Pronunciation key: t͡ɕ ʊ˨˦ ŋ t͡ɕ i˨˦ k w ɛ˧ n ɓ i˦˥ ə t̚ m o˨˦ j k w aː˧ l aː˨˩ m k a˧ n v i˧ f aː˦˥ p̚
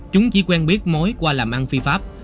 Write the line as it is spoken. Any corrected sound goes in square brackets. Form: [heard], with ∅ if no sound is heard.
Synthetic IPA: t͡ɕ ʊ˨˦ [ŋ͡m] t͡ɕ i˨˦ k w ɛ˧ n ɓ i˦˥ ə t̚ m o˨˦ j k w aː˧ l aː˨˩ m [ʔ] a˧ n [f] i˧ f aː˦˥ p̚